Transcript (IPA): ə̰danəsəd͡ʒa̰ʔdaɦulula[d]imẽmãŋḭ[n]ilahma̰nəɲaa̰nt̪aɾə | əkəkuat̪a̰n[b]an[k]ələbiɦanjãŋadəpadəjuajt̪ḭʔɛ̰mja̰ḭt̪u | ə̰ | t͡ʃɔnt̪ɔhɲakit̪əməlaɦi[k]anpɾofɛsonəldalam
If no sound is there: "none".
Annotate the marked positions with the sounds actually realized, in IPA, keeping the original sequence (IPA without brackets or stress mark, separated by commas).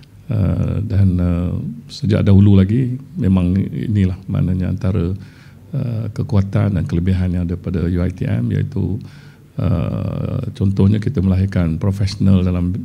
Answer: ɡ, n, d, k, k